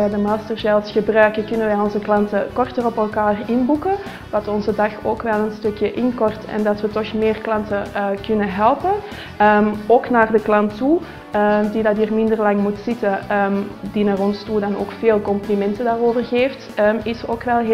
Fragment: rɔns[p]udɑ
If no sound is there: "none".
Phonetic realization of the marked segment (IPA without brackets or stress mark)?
t